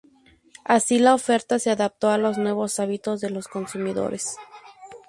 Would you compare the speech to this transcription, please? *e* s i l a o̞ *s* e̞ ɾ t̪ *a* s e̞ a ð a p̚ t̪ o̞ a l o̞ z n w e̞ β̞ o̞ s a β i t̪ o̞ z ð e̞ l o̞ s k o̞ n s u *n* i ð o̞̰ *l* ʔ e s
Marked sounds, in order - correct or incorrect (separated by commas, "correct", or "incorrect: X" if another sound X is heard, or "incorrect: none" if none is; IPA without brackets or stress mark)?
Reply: incorrect: a, incorrect: f, correct, incorrect: m, incorrect: ɾ